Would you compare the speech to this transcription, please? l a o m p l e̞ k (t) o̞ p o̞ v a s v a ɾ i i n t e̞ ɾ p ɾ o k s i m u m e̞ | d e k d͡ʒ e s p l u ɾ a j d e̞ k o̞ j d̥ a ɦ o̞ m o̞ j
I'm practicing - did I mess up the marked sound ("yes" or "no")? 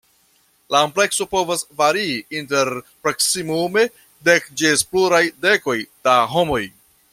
yes